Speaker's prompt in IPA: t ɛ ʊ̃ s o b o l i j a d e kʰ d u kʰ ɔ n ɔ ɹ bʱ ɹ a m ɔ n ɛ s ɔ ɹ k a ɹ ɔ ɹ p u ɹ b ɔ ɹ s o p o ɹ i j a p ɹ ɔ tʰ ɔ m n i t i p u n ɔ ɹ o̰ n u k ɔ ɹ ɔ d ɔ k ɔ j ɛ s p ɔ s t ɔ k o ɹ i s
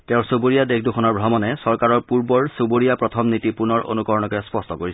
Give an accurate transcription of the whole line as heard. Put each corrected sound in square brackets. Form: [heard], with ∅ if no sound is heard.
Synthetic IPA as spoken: t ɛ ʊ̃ s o b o [ɹ] i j a d e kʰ d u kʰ ɔ n ɔ ɹ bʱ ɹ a m ɔ n ɛ s ɔ ɹ k a ɹ ɔ ɹ p u ɹ b ɔ ɹ s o [b] o ɹ i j a p ɹ ɔ tʰ ɔ m n i t i p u n ɔ ɹ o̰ n u k ɔ ɹ ɔ [n] ɔ k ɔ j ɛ s p ɔ s t ɔ k o ɹ i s